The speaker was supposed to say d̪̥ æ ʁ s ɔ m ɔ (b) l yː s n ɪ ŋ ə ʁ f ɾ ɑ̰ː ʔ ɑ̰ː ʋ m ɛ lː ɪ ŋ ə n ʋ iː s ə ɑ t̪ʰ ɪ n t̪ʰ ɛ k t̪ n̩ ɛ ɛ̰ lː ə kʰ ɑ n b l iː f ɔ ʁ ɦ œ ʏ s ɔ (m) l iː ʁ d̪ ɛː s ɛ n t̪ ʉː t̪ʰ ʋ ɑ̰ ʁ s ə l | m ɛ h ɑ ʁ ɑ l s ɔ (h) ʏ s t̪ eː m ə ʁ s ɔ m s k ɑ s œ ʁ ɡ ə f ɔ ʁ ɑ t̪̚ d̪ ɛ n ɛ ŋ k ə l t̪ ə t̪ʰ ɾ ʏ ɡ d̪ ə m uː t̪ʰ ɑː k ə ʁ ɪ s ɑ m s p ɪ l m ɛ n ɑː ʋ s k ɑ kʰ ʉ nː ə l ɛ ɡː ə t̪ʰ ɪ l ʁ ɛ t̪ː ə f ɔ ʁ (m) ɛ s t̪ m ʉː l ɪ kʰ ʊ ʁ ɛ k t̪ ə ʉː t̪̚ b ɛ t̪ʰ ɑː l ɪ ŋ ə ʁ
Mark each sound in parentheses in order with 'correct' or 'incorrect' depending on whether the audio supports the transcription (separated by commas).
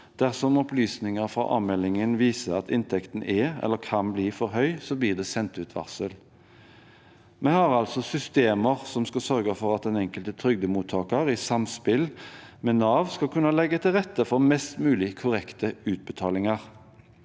incorrect, incorrect, incorrect, correct